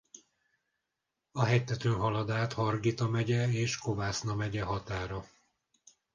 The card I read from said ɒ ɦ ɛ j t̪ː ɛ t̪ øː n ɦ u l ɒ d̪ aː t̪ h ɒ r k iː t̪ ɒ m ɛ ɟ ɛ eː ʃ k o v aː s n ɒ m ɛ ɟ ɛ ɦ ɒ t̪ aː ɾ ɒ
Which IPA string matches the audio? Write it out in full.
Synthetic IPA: ɒ ɦ ɛ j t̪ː ɛ t̪ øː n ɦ ɒ l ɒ d̪ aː t̪ h ɒ r ɡ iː t̪ ɒ m ɛ ɟ ɛ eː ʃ k o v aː s n ɒ m ɛ ɟ ɛ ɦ ɒ t̪ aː ɾ ɒ